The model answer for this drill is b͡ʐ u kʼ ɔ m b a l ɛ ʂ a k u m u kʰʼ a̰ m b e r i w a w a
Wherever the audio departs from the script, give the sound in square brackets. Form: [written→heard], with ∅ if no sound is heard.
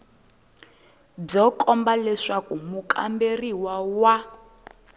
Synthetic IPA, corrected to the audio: b͡ʐ [u→ɔ] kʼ ɔ m b a l ɛ ʂ a k u m u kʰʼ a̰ m b e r i w a w a